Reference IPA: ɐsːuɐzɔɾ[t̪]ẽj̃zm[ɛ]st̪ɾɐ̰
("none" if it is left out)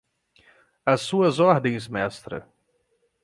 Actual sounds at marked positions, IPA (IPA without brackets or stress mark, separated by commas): d̪, ɛ